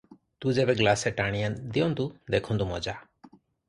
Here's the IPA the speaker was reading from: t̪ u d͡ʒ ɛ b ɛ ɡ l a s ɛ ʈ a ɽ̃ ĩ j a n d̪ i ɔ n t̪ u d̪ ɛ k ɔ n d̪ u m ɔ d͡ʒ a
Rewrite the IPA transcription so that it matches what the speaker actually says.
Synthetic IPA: t̪ u d͡ʒ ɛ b ɛ ɡ l a s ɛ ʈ a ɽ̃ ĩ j a n d̪ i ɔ n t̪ u d̪ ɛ kʰ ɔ n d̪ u m ɔ d͡ʒ a